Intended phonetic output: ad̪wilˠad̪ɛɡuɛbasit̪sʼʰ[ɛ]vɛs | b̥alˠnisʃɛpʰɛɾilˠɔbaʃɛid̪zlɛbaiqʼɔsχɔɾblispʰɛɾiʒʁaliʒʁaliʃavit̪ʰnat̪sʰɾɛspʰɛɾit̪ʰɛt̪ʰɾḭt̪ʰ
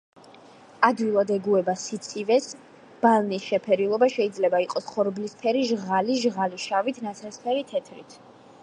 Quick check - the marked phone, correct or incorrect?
incorrect: i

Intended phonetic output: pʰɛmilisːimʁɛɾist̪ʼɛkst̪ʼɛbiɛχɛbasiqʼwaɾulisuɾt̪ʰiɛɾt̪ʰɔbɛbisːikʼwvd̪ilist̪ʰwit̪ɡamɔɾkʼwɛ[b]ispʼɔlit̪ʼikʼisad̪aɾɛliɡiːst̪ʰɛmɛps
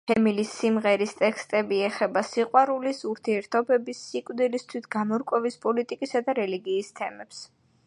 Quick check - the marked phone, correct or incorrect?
incorrect: v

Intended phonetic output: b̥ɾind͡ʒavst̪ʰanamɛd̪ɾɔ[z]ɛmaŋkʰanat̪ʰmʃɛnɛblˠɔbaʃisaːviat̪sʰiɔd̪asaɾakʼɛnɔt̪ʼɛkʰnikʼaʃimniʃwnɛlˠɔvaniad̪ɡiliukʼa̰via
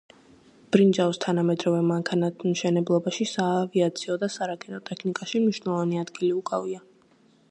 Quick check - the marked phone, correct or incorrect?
incorrect: v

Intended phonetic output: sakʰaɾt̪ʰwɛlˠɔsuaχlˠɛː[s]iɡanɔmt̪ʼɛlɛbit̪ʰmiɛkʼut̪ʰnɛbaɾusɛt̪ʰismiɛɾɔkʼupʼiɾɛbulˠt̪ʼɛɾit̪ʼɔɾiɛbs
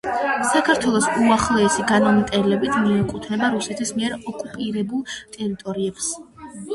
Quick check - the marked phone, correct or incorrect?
correct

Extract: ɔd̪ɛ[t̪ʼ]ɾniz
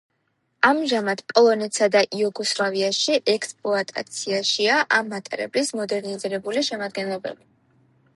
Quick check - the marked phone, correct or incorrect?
incorrect: none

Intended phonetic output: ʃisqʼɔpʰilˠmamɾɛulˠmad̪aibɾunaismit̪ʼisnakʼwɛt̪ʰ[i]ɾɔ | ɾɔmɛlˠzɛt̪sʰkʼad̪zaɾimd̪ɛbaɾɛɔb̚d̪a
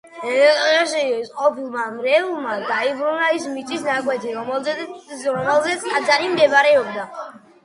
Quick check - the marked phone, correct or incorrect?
correct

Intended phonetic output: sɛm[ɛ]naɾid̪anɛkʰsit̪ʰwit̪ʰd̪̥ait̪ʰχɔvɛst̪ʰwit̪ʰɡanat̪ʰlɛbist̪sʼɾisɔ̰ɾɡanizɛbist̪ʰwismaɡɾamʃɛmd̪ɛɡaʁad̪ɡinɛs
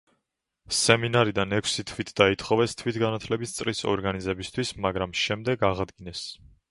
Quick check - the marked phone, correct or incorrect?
incorrect: i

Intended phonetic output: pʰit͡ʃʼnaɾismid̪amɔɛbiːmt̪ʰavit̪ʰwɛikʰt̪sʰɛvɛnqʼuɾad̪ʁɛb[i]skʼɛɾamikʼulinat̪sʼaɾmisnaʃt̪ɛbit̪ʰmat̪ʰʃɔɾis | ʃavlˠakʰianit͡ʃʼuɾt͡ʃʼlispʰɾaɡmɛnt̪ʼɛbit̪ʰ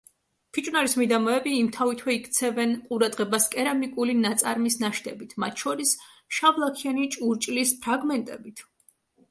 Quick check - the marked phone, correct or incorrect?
incorrect: a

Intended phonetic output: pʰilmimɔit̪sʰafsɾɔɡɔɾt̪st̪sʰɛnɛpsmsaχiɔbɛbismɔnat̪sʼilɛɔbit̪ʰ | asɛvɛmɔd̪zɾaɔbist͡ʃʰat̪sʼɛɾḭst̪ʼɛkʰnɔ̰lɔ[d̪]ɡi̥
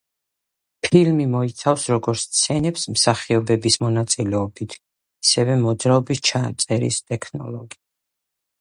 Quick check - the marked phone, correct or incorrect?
incorrect: none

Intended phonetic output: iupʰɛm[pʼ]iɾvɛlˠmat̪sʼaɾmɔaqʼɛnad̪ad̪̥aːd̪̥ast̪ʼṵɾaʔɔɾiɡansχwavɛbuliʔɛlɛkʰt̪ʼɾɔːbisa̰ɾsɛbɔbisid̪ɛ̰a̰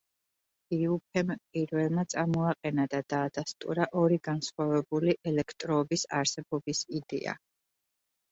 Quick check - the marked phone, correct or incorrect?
correct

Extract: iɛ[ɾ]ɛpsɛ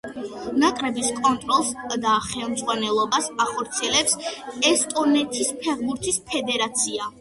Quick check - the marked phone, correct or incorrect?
incorrect: l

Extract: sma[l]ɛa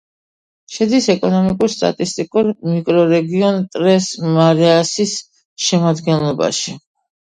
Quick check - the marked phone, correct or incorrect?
incorrect: ɾ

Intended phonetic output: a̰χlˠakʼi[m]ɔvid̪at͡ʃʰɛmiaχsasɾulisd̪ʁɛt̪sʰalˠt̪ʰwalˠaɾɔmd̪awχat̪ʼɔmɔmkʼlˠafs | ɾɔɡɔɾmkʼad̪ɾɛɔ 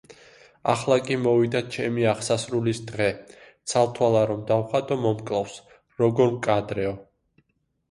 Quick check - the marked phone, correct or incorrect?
correct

